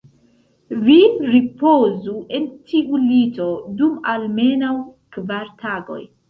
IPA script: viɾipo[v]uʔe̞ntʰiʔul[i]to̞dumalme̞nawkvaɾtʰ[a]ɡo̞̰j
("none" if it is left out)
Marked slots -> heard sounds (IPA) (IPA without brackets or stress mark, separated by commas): z, i, a